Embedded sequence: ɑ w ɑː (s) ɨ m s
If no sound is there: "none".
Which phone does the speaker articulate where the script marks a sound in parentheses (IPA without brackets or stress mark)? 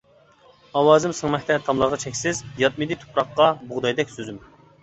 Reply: z